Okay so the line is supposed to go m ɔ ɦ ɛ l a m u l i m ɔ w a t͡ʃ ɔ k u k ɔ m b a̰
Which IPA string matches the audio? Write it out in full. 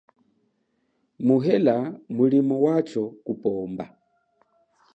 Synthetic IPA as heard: m u ɦ ɛ l a m u l i m ɔ w a t͡ʃ ɔ k u p ɔ m b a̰